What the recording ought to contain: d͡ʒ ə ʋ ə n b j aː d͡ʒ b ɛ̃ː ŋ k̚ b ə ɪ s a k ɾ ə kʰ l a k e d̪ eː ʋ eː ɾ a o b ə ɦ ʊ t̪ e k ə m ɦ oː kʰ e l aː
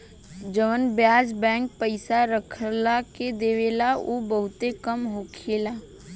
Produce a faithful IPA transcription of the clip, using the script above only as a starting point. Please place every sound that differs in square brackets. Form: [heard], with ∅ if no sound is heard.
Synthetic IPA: d͡ʒ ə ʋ ə n b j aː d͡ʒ b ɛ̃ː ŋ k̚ [p] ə ɪ s a [∅] ɾ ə kʰ l a k e d̪ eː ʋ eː [l] a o b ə ɦ ʊ t̪ e k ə m ɦ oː kʰ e l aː